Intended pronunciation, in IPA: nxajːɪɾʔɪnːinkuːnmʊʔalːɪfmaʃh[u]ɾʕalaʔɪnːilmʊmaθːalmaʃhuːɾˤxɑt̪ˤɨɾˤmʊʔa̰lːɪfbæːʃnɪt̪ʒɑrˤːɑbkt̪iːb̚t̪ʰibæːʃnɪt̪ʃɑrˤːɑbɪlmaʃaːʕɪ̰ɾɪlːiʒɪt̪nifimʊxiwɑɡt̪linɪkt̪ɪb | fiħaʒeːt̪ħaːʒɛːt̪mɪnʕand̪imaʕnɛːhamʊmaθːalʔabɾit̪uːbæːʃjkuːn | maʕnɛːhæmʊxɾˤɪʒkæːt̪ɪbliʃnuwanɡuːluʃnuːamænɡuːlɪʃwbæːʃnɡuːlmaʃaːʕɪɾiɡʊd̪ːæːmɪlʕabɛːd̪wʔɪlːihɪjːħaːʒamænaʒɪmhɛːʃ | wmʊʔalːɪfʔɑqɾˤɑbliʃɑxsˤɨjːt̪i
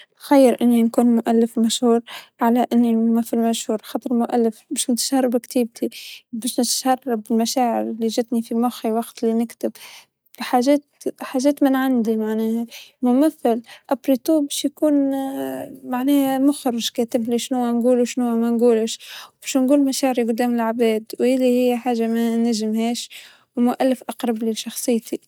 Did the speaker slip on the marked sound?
yes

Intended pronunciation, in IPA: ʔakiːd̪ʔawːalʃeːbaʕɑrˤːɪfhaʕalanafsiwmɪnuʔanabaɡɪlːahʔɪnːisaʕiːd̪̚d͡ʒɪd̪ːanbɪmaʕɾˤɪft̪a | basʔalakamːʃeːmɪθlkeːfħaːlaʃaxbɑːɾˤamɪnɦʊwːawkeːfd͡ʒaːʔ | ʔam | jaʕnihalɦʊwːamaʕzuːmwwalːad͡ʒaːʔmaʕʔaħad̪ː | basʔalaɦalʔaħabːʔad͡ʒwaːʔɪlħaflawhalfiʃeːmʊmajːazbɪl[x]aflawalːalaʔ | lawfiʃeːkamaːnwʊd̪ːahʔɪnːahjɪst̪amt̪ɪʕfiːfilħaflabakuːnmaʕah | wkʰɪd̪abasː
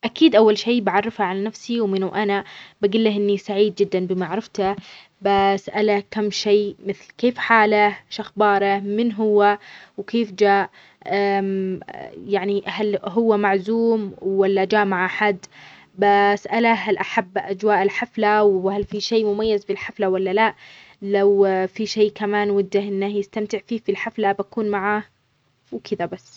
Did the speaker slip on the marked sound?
yes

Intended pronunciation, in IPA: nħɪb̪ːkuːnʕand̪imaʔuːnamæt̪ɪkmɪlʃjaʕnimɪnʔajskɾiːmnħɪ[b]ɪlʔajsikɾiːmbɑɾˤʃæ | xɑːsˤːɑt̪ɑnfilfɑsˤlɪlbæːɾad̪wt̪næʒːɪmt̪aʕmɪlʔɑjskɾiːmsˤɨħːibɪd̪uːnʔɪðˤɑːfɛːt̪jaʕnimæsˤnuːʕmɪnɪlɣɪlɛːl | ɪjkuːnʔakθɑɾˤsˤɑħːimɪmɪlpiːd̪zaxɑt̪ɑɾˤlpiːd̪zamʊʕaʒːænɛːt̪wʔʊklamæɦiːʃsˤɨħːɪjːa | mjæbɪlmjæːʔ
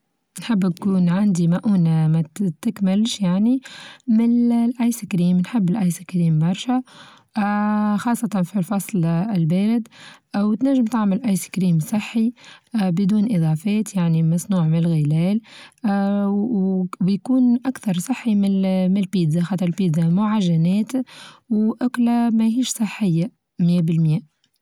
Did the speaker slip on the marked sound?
yes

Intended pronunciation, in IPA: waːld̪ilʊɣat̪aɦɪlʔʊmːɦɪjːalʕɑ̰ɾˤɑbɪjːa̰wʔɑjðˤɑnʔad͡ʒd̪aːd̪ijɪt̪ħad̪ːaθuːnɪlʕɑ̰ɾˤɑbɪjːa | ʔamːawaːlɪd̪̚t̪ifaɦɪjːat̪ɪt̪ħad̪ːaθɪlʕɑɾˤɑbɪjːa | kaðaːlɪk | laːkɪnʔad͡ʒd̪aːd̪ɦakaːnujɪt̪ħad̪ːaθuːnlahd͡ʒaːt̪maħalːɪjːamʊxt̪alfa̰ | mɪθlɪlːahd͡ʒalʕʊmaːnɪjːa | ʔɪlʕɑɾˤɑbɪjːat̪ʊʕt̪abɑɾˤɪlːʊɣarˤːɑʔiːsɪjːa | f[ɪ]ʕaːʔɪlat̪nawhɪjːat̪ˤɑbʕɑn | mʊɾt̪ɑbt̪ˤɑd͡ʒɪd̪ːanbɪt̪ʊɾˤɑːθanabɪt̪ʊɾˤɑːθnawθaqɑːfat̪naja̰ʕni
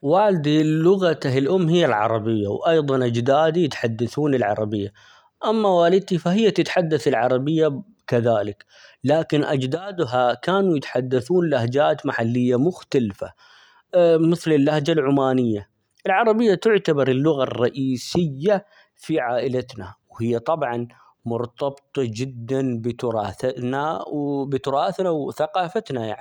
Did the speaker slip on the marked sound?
yes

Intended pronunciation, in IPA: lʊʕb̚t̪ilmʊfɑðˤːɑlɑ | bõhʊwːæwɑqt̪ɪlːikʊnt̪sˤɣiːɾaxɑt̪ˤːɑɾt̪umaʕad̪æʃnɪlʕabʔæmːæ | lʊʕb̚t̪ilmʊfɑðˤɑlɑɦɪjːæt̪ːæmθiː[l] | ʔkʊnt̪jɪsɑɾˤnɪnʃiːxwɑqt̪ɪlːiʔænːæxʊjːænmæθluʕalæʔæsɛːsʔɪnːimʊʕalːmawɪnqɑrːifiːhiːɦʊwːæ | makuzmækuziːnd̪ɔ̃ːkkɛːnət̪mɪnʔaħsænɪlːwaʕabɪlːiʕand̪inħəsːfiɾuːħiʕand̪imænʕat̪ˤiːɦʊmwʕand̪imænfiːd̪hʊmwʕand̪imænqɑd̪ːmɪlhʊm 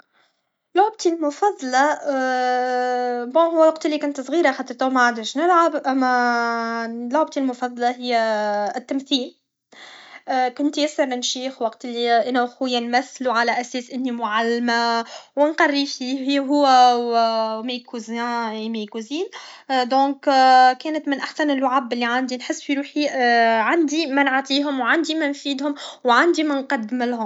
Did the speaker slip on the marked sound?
no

